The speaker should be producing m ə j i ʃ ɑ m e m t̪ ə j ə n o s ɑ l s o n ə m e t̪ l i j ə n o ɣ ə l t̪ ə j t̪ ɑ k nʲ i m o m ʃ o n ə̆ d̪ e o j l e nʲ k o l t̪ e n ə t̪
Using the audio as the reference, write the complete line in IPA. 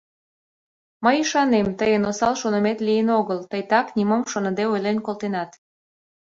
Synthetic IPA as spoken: m ə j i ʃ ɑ n e m t̪ ə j ə n o s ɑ l ʃ o n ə m e t̪ l i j ə n o ɣ ə l t̪ ə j t̪ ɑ k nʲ i m o m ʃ o n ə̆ d̪ e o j l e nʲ k o l t̪ e n ɑ t̪